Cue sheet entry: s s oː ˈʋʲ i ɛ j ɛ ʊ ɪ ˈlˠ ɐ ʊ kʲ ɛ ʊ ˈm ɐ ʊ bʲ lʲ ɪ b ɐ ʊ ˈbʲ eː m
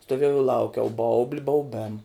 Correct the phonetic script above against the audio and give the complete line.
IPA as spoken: s t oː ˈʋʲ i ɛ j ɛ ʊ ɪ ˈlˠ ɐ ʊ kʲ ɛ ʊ ˈb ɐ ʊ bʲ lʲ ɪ b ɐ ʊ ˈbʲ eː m